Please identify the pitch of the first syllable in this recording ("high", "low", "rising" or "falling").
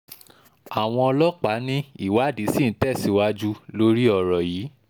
low